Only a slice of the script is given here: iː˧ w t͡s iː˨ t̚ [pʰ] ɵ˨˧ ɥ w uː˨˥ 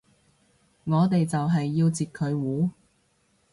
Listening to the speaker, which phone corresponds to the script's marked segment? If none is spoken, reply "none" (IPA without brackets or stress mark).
kʰ